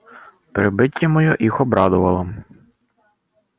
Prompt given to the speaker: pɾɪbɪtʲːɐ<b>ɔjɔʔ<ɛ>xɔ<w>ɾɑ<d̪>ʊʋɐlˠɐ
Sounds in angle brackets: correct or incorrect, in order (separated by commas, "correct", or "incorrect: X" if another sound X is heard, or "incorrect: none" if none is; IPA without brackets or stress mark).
incorrect: m, incorrect: i, incorrect: b, correct